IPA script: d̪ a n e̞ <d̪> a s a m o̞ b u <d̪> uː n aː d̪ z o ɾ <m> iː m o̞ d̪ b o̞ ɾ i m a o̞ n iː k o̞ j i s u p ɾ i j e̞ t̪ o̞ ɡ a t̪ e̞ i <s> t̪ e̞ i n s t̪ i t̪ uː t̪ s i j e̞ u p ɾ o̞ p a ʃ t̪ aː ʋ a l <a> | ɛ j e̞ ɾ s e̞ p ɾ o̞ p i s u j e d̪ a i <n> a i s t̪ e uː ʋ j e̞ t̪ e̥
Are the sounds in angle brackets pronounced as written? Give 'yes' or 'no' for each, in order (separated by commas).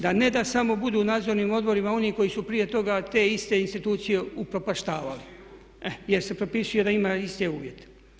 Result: yes, yes, no, yes, no, no